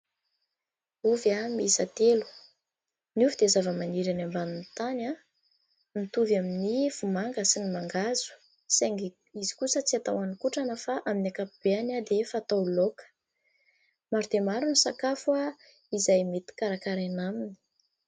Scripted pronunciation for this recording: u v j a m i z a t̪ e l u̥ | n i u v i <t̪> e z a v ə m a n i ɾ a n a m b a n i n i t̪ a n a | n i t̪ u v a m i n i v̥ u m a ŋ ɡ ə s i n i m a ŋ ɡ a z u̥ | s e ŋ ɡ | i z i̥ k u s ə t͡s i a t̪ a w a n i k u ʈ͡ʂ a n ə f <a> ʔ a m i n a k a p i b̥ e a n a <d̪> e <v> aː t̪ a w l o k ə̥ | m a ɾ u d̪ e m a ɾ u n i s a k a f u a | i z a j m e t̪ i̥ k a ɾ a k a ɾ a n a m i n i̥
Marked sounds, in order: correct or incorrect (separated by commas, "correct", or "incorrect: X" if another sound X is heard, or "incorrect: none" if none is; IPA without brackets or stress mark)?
incorrect: d̪, correct, correct, incorrect: f